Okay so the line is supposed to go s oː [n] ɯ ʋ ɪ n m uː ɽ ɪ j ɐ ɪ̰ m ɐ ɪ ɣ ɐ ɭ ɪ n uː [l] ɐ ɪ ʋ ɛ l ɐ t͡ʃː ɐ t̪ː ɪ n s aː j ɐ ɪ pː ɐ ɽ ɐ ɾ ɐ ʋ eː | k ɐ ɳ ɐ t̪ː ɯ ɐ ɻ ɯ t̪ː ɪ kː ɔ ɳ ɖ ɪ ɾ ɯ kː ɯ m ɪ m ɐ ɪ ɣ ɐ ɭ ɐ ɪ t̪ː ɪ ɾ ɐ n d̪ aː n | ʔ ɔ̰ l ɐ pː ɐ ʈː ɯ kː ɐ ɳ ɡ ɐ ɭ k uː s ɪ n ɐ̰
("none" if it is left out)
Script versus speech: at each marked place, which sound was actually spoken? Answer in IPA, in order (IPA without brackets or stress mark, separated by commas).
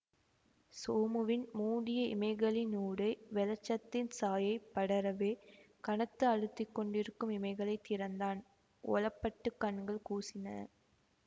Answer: m, ɽ